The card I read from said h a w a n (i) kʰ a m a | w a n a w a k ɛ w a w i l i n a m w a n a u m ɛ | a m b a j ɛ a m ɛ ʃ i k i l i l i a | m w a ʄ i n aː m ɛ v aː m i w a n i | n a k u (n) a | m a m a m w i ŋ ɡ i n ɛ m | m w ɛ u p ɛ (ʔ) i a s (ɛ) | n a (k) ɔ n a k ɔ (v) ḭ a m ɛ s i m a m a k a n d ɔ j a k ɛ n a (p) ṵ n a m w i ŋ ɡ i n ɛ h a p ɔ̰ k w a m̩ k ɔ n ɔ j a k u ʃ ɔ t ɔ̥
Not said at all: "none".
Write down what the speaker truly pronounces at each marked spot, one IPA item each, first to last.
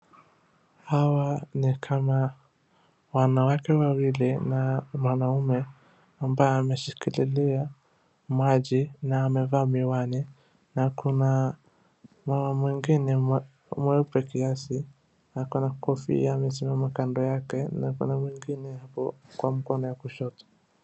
i, n, k, i, k, f, k

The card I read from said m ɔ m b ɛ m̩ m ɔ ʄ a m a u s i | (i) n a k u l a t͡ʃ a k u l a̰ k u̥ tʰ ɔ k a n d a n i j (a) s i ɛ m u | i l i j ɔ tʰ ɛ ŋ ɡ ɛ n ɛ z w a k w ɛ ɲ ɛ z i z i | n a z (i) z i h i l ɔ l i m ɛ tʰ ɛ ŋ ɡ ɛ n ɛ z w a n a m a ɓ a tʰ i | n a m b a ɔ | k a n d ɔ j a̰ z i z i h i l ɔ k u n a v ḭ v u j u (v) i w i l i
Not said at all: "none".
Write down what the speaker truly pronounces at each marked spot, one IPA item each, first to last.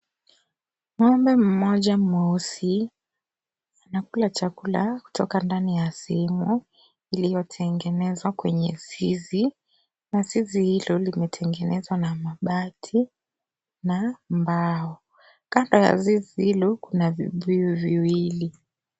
a, a, i, v

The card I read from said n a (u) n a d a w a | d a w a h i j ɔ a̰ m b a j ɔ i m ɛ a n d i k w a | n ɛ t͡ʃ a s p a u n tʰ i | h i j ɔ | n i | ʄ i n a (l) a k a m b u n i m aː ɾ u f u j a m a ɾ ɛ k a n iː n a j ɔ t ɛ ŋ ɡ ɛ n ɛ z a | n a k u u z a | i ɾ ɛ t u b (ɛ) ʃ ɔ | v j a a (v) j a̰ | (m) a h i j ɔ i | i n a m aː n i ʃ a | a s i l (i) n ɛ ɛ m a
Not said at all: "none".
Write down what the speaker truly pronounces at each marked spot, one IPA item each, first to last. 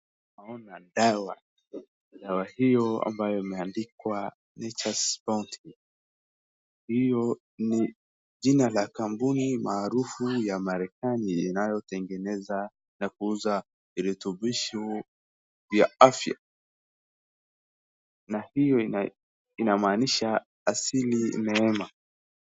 ɔ, l, i, f, n, i

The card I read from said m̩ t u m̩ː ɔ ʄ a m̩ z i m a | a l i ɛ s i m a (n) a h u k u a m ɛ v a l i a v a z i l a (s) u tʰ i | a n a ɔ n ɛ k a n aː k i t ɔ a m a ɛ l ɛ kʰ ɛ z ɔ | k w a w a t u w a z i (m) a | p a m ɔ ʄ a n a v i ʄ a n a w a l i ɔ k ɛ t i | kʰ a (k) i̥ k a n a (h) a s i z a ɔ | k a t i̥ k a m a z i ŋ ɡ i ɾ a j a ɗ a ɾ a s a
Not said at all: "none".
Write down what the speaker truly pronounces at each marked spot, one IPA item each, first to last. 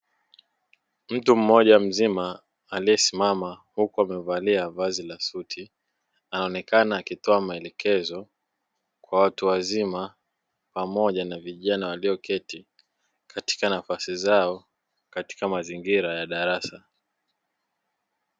m, s, m, t, f

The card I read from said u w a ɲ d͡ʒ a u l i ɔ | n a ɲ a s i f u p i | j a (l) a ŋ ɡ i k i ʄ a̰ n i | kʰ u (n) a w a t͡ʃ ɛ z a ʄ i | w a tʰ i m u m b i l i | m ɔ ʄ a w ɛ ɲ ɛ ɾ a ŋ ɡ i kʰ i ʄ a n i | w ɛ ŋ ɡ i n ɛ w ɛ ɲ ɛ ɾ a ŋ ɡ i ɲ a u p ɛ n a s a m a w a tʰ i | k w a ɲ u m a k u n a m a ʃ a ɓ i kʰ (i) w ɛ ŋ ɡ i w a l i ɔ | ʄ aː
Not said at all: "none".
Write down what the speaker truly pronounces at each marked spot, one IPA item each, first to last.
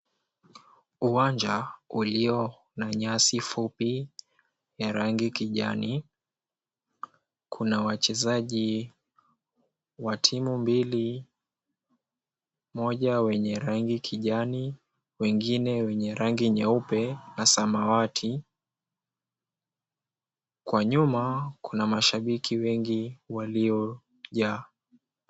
ɾ, n, i

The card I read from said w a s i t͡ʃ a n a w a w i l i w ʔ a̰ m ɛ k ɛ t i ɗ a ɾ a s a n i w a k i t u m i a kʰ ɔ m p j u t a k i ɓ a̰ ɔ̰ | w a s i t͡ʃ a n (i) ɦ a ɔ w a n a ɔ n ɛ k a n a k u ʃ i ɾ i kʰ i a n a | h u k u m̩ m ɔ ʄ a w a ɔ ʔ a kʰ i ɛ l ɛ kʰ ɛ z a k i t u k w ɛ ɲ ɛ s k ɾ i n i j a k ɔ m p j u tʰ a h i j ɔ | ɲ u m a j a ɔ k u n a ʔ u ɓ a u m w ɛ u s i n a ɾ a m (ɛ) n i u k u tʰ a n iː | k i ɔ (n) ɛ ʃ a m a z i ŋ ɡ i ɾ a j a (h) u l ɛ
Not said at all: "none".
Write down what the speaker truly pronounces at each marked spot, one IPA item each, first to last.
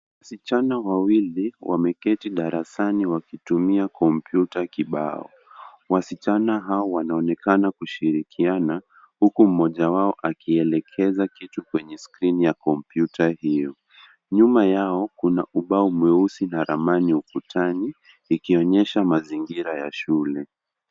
a, a, ɲ, ʃ

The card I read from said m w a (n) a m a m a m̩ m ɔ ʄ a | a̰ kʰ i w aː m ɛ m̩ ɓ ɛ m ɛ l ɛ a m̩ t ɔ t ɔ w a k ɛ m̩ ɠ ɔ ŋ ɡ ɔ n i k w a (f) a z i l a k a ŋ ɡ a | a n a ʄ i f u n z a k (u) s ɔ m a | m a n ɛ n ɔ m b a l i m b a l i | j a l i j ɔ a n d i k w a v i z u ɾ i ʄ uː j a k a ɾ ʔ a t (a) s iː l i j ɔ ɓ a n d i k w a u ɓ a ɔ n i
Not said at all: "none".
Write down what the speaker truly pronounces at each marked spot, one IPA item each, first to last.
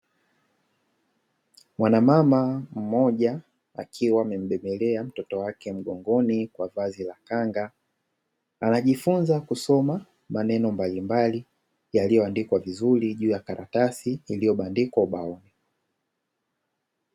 n, v, u, a

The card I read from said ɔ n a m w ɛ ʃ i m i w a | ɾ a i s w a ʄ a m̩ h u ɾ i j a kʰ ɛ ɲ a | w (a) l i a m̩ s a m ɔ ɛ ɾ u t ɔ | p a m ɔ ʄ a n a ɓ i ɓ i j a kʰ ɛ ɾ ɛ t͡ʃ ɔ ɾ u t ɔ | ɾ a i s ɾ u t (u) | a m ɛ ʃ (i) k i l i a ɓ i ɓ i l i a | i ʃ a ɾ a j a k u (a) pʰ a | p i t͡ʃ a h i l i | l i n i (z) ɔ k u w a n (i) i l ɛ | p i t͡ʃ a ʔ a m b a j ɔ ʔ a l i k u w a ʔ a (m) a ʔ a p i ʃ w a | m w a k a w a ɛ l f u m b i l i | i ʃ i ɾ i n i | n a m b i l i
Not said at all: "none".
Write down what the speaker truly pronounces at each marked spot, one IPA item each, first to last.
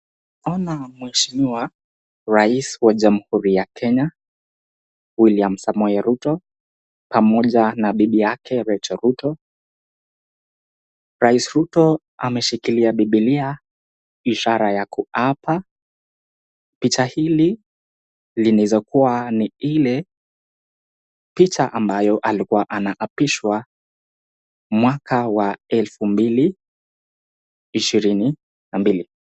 i, ɔ, i, a, z, i, n

